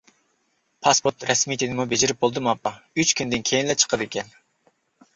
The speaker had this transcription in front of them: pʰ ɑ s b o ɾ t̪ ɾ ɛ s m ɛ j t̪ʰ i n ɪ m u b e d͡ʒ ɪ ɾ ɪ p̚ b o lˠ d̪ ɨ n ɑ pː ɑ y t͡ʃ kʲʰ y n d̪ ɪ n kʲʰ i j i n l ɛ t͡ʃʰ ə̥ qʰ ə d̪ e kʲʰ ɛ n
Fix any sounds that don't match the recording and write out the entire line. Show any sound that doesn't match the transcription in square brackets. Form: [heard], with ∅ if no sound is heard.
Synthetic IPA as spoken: pʰ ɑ s [p] o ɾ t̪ ɾ ɛ s m [i] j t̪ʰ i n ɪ m u b e d͡ʒ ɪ ɾ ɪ p̚ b o lˠ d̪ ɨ [m] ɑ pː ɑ y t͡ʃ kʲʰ y n d̪ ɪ n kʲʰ [e] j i n l ɛ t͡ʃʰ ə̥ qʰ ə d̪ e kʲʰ ɛ n